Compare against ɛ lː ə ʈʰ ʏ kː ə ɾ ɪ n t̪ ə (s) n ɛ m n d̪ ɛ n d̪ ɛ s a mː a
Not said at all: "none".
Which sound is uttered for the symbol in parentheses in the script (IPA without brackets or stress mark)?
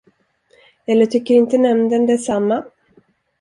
none